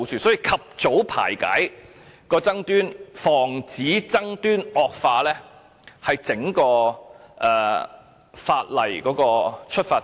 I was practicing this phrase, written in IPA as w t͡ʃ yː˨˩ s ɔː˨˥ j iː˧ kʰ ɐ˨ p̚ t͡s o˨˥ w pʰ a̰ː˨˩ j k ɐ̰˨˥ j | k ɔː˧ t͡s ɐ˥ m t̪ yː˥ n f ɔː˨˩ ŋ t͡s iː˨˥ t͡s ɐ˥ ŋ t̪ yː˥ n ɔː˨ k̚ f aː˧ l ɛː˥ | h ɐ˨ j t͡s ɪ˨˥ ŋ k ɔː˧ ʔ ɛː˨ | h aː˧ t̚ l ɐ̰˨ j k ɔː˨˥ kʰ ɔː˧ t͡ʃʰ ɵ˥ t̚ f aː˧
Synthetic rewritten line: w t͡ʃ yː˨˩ s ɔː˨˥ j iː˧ kʰ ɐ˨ p̚ t͡s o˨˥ w pʰ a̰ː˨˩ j k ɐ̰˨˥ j | k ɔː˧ t͡s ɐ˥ ŋ t̪ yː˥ n f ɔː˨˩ ŋ t͡s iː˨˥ t͡s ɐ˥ ŋ t̪ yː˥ n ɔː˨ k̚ f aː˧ l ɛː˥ | h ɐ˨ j t͡s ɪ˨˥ ŋ k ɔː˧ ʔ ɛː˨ | f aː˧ t̚ l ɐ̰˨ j k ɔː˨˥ k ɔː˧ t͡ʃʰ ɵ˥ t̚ f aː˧